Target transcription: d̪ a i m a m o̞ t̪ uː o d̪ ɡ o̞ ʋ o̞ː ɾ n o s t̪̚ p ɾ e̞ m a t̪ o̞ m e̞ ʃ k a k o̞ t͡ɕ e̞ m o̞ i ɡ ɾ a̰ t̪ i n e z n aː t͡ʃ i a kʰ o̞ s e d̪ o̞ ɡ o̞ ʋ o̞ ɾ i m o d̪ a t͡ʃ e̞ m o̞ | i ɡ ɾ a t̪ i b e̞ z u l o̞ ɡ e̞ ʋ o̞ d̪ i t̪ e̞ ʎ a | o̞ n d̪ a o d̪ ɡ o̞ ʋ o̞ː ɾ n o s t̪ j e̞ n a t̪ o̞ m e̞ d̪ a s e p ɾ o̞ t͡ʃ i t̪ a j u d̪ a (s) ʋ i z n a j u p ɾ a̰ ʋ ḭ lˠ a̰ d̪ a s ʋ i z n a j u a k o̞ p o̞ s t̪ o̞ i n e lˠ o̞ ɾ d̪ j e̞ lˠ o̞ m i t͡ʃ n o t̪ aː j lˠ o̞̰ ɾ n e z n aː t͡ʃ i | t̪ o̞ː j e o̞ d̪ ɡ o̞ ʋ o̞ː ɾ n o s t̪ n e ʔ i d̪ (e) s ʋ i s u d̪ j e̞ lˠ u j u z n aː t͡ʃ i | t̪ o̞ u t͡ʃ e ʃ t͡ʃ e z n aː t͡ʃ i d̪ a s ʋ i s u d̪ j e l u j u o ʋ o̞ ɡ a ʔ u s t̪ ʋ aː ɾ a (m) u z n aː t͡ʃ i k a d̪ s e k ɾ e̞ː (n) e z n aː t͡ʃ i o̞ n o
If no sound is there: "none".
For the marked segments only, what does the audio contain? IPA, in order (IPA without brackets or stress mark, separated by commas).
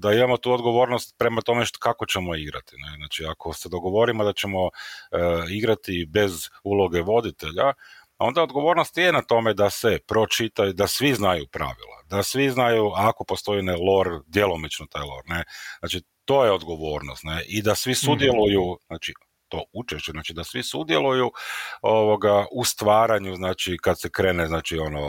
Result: s, a, ɲ, n